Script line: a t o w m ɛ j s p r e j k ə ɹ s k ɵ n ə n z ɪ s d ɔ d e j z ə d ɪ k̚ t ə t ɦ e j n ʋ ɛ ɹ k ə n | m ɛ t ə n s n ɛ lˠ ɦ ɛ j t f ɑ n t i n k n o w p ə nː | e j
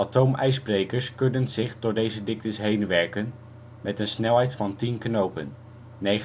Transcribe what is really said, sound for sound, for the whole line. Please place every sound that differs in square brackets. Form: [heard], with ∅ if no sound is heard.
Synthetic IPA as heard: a t o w m ɛ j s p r e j k ə ɹ s k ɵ n ə n z ɪ [χ] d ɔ d e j z ə d ɪ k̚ t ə [s] ɦ e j n ʋ ɛ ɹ k ə n | m ɛ t ə n s n ɛ lˠ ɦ ɛ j t f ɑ n t i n k n o w p ə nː | e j